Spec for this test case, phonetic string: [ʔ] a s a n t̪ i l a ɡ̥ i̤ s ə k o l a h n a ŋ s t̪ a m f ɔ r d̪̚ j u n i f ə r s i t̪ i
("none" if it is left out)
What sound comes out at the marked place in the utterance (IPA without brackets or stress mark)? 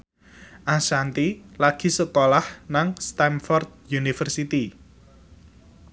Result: ʔ